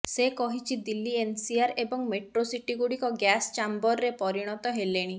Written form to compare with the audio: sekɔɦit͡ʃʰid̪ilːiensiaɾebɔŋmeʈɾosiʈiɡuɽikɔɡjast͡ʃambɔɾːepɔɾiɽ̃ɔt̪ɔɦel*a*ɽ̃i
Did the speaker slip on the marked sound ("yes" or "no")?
yes